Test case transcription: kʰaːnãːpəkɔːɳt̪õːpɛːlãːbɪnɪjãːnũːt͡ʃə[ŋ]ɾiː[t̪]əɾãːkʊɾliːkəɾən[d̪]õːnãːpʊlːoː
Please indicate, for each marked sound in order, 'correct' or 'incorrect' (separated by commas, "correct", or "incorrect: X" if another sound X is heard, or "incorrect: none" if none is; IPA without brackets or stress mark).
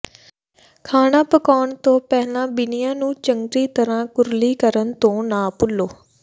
correct, correct, incorrect: t̪